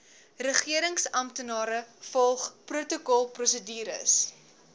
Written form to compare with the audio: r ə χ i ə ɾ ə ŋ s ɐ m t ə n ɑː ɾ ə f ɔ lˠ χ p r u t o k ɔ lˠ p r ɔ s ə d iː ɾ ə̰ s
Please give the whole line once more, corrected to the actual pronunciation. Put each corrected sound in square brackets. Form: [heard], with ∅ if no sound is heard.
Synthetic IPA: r ə χ i ə ɾ ə ŋ s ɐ m t ə n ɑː ɾ ə f ɔ lˠ χ p r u t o k ɔ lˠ p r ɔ s ə d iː ɾ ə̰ s